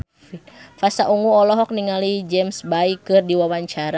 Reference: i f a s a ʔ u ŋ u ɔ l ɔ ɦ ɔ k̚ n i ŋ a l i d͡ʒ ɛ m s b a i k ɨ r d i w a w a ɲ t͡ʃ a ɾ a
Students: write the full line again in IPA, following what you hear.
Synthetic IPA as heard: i f a s a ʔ u ŋ u ɔ l ɔ ɦ ɔ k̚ n i ŋ a l i d͡ʒ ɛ m s b a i k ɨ r d i w a w a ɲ t͡ʃ a ɾ a